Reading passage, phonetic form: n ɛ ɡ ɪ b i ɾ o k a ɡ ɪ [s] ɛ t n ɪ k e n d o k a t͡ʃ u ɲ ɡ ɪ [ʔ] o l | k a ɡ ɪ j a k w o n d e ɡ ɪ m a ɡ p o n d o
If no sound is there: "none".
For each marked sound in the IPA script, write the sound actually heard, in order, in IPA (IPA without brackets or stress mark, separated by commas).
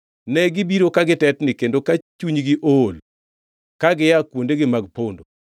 t, ʔ